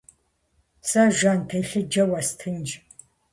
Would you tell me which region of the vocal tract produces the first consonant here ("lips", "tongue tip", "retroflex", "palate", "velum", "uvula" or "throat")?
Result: tongue tip